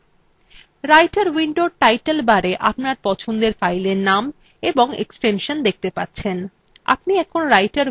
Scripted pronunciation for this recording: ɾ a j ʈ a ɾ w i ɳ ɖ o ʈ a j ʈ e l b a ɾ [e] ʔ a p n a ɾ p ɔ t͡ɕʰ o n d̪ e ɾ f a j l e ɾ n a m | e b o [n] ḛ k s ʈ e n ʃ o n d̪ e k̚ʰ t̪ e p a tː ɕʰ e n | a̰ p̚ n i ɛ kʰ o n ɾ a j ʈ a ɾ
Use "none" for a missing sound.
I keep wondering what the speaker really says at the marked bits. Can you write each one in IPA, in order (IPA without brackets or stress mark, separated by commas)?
e, ŋ